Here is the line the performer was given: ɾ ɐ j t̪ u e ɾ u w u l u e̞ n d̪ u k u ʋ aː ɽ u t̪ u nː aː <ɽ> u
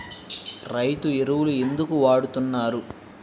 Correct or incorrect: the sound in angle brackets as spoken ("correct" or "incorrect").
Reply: incorrect